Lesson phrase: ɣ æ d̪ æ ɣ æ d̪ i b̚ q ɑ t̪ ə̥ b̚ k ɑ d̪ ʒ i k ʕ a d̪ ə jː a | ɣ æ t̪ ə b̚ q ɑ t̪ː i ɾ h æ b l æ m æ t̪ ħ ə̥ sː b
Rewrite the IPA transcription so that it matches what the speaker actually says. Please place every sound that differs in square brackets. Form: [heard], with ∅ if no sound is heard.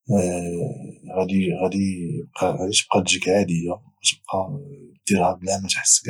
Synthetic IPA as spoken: ɣ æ d̪ [i] ɣ æ d̪ i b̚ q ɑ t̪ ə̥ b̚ [q] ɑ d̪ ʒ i k ʕ a d̪ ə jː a | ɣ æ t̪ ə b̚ q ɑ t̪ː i ɾ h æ b l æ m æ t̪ ħ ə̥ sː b